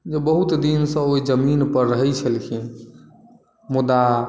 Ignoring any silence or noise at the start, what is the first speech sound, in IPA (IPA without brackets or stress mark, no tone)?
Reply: d͡ʒ